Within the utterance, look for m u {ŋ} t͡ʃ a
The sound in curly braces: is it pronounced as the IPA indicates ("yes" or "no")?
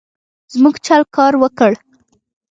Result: no